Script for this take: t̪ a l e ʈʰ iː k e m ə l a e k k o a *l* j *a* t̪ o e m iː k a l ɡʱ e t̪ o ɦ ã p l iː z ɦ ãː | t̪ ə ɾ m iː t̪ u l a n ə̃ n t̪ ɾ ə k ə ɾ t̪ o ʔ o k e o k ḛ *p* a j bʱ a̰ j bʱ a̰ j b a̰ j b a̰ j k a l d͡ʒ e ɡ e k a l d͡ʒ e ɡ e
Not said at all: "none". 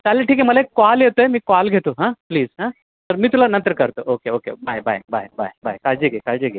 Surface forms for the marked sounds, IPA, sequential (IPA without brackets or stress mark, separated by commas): l, e, b